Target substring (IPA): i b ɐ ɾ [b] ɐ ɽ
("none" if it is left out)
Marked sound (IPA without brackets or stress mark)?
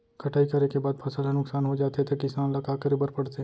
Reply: p